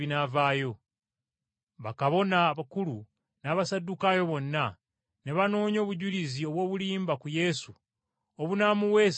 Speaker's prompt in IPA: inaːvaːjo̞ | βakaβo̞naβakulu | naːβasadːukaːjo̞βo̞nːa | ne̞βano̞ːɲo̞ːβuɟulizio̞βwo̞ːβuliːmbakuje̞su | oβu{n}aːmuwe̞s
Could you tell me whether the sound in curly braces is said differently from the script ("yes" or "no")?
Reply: no